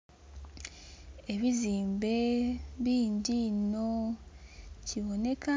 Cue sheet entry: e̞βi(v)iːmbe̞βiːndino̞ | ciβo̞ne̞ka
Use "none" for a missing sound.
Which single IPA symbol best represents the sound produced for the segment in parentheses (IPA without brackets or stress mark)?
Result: z